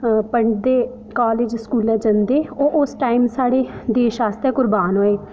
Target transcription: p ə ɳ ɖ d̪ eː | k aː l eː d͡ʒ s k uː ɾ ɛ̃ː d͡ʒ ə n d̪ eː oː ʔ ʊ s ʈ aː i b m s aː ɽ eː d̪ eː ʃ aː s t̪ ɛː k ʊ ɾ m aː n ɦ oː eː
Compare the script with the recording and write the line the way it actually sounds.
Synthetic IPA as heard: p ə ɳ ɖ d̪ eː | k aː l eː d͡ʒ s k uː l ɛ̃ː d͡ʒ ə n d̪ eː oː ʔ ʊ s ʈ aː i m s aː ɽ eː d̪ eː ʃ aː s t̪ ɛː k ʊ ɾ b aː n ɦ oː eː